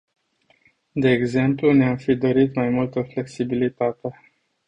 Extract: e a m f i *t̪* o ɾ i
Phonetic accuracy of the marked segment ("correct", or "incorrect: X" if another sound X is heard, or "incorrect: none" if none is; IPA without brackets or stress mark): incorrect: d̪